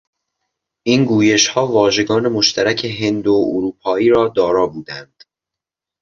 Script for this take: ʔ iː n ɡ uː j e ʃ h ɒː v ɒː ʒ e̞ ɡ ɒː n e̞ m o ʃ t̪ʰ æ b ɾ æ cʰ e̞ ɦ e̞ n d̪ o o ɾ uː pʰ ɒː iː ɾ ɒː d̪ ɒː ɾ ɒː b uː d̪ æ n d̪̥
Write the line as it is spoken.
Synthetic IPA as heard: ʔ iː n ɡ uː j e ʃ h ɒː v ɒː ʒ e̞ ɡ ɒː n e̞ m o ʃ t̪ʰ æ ɾ æ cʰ e̞ ɦ e̞ n d̪ o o ɾ uː pʰ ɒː iː ɾ ɒː d̪ ɒː ɾ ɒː b uː d̪ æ n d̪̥